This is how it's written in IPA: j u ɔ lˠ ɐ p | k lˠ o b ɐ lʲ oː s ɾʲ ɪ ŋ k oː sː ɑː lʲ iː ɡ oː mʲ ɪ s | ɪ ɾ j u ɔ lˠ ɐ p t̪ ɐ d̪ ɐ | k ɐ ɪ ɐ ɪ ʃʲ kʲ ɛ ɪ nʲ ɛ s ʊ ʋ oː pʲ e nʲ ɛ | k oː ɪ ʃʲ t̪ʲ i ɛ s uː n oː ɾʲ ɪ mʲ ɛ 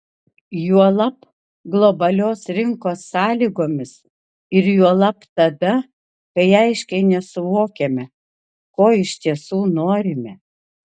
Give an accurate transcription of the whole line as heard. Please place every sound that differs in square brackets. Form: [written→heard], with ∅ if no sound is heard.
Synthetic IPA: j u ɔ lˠ ɐ p | [k→ɡ] lˠ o b ɐ lʲ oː s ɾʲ ɪ ŋ k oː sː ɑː lʲ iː ɡ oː mʲ ɪ s | ɪ ɾ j u ɔ lˠ ɐ p t̪ ɐ d̪ ɐ | k ɐ ɪ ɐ ɪ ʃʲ kʲ ɛ ɪ nʲ ɛ s ʊ ʋ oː [pʲ→kʲ] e [nʲ→mʲ] ɛ | k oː ɪ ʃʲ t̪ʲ i ɛ s uː n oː ɾʲ ɪ mʲ ɛ